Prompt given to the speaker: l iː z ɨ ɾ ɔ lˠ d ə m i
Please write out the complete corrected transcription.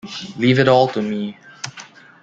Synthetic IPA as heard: l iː v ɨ ɾ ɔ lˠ t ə m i